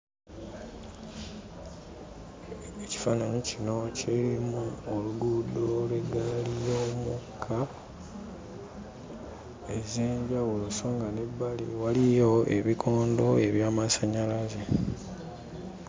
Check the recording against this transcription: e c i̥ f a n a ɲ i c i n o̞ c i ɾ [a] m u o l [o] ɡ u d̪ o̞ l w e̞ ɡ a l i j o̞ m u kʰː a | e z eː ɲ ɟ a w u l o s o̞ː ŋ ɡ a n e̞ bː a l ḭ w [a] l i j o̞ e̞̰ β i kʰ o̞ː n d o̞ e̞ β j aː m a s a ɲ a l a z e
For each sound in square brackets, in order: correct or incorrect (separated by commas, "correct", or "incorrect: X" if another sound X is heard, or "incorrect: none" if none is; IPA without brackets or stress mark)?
incorrect: i, incorrect: u, correct